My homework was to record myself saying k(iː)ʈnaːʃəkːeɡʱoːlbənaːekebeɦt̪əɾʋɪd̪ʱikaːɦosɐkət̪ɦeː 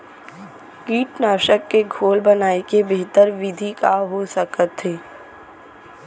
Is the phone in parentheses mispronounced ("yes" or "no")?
no